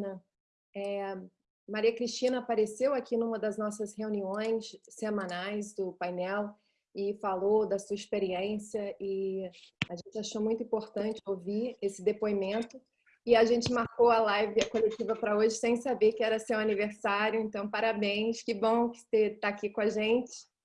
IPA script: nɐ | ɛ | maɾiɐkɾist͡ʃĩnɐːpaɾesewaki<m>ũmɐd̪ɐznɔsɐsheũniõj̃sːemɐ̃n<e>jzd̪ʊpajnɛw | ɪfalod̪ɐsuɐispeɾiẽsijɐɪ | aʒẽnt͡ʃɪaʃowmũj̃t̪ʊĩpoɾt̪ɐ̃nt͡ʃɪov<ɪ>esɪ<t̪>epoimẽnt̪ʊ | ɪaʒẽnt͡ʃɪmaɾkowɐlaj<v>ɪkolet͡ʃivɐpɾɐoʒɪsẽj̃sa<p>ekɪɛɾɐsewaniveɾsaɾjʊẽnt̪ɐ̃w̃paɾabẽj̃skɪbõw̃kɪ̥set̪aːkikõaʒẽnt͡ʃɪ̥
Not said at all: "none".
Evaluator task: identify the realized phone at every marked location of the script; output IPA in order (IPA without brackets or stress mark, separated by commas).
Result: n, a, i, d̪, v, b